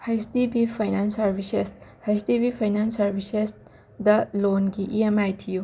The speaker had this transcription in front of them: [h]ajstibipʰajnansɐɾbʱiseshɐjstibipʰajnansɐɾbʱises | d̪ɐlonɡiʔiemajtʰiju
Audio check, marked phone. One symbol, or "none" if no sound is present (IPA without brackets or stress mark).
h